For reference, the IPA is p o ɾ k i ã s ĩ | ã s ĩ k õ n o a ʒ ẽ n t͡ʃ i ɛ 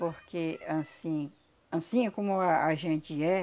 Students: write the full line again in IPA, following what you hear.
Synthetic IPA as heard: p o ɾ k e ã s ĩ | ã s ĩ k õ m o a ʒ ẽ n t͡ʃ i ɛ